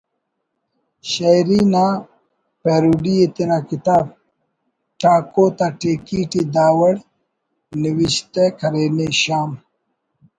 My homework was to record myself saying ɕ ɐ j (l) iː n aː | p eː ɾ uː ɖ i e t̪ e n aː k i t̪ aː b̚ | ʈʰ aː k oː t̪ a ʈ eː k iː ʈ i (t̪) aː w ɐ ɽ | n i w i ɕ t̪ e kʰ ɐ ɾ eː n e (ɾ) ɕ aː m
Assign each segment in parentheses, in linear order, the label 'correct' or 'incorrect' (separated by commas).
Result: incorrect, incorrect, incorrect